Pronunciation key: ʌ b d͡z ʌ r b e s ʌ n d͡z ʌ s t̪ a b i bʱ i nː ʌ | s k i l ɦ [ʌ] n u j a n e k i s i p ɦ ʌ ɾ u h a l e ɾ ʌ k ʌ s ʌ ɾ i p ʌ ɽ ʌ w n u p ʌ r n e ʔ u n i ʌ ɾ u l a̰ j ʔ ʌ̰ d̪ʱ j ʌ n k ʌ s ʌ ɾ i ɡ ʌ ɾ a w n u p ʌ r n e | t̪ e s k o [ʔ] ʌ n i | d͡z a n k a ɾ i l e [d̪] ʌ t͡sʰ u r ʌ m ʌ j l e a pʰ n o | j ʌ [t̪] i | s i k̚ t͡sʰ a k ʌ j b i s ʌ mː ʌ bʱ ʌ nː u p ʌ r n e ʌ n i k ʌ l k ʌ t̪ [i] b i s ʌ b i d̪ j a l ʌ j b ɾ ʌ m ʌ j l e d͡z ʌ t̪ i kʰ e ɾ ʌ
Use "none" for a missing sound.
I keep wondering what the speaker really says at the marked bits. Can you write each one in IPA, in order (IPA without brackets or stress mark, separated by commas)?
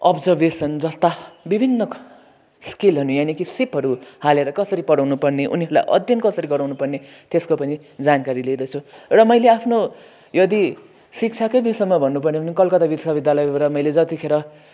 ʌ, p, d̪, d̪, a